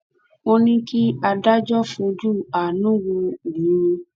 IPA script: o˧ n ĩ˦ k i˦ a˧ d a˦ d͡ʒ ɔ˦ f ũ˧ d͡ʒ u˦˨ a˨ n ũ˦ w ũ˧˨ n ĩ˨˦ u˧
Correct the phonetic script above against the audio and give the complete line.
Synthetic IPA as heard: o˧ n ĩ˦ k i˦ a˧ d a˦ d͡ʒ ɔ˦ f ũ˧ d͡ʒ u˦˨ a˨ n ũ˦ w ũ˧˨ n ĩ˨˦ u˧